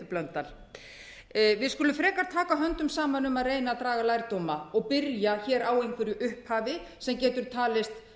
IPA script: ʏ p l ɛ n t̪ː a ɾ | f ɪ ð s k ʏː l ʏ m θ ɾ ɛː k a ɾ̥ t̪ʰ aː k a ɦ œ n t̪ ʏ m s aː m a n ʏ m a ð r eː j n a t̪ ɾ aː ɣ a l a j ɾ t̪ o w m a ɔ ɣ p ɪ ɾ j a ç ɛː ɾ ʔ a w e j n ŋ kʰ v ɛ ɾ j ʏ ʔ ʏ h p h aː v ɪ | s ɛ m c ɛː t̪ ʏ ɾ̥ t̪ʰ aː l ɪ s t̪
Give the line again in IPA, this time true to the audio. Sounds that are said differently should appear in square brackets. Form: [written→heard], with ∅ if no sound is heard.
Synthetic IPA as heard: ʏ p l [ɛ→œ] n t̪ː a [ɾ→l] | [f→v] ɪ ð s k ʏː l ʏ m [θ→f] ɾ ɛː k a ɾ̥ t̪ʰ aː k a ɦ œ n t̪ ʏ m s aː m a n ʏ m a ð r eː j n a t̪ ɾ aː ɣ a l a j ɾ t̪ o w m a ɔ ɣ p ɪ ɾ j a ç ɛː ɾ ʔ a w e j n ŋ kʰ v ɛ ɾ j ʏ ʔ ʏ h p h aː v ɪ | s ɛ m c ɛː t̪ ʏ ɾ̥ t̪ʰ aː l ɪ s t̪